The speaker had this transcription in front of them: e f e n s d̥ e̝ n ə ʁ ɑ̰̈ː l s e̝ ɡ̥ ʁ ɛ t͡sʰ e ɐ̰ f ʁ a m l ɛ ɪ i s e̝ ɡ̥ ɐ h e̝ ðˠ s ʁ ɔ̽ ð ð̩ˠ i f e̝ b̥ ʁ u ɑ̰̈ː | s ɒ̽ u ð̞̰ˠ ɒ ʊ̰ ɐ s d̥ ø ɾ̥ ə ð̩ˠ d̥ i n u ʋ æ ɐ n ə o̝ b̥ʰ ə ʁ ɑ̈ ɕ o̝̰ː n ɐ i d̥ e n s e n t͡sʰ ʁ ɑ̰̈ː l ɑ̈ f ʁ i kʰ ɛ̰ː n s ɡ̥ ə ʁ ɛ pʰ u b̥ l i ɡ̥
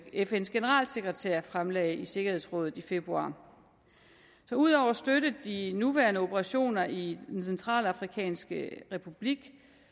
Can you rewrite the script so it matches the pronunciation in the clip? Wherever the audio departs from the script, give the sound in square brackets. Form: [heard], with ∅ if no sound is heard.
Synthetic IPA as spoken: e f e n s [ɡ̥] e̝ n ə ʁ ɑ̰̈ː l s e̝ ɡ̥ ʁ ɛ t͡sʰ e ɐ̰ f ʁ a m l ɛ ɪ i s e̝ ɡ̥ ɐ h e̝ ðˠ s ʁ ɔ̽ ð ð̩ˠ i f e̝ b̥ ʁ u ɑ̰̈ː | s ɒ̽ u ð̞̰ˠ ɒ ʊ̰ ɐ s d̥ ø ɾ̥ ə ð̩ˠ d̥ i n u ʋ æ ɐ n ə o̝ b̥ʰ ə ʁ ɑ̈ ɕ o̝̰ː n ɐ i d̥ e n s e n t͡sʰ ʁ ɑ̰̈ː l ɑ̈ f ʁ i kʰ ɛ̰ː n s ɡ̥ ə ʁ ɛ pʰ u b̥ l i ɡ̥